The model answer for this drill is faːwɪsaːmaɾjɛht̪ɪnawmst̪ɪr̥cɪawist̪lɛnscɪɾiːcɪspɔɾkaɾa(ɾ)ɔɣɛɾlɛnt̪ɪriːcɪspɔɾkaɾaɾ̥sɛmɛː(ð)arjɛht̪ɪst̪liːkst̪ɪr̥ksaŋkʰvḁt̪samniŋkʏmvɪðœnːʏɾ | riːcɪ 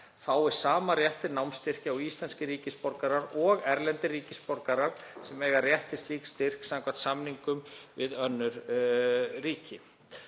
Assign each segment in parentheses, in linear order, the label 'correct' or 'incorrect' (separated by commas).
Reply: correct, incorrect